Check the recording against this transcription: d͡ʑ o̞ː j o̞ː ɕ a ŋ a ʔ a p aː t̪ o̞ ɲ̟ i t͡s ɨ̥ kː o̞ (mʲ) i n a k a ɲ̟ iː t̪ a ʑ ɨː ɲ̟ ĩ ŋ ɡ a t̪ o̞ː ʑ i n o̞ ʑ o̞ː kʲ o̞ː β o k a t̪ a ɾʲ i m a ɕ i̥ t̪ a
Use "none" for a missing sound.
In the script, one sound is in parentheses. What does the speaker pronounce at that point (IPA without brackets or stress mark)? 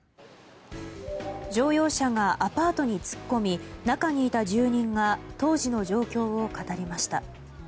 mʲ